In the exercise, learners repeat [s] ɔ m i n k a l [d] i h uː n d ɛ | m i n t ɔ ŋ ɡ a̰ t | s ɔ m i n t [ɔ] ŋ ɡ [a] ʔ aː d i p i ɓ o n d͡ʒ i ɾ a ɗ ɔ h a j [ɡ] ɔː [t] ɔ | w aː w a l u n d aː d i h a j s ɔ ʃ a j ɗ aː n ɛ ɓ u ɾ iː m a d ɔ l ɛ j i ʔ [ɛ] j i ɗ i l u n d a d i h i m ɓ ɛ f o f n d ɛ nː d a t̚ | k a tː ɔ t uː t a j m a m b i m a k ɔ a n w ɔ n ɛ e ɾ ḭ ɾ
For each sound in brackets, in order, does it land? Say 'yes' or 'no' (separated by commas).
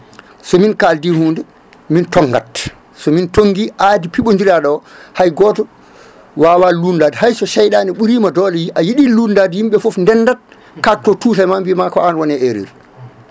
yes, yes, no, no, yes, yes, no